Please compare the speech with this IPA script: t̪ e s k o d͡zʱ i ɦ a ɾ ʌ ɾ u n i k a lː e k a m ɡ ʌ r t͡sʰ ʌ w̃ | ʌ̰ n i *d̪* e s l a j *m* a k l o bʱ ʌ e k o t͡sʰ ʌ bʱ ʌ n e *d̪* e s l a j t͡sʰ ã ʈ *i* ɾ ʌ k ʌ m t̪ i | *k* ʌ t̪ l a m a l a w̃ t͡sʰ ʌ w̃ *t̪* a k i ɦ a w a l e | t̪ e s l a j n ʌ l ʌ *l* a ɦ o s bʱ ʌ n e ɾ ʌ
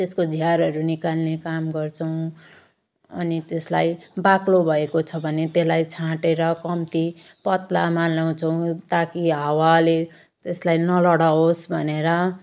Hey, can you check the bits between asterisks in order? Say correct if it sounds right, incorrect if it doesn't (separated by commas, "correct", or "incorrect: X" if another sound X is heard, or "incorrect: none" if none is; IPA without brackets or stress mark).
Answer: incorrect: t̪, incorrect: b, incorrect: t̪, incorrect: e, incorrect: p, correct, incorrect: ɽ